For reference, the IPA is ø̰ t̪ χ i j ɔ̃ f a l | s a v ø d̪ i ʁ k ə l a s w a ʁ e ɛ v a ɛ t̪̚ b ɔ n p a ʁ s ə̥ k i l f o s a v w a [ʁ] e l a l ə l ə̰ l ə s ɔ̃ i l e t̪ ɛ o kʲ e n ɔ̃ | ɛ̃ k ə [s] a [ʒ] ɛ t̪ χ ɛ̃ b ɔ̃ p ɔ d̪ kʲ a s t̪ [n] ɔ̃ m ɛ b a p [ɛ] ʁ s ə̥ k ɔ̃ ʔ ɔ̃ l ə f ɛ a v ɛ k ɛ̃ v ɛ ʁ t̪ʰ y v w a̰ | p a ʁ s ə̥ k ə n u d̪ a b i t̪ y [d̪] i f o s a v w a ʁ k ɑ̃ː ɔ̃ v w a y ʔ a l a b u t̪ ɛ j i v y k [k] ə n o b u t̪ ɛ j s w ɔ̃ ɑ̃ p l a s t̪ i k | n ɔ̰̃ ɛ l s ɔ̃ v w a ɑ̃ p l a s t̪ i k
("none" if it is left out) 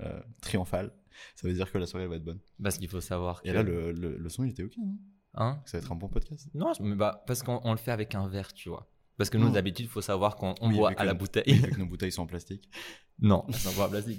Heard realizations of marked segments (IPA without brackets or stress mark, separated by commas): ʁ, s, v, n, a, d̪, k